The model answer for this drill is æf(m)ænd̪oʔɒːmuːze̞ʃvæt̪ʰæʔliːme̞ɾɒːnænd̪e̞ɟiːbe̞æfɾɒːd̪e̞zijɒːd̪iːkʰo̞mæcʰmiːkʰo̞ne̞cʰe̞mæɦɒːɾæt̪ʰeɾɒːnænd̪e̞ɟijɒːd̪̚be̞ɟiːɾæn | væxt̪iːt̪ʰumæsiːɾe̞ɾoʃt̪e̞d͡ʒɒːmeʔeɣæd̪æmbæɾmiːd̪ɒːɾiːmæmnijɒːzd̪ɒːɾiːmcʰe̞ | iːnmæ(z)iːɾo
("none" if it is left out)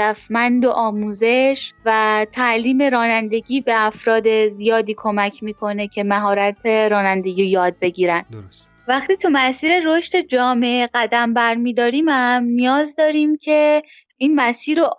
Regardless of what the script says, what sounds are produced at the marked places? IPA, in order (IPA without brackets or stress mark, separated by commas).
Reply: m, s